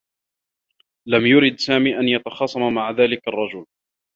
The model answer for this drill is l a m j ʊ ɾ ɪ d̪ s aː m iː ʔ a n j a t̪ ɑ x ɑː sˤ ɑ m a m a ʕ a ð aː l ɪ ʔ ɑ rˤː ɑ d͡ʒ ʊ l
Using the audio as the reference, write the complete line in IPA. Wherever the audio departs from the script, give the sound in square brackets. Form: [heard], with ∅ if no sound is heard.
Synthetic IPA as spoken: l a m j ʊ ɾ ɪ d̪ s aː m iː ʔ a n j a t̪ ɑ x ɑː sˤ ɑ m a m a ʕ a ð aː l ɪ [k] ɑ rˤː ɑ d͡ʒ ʊ l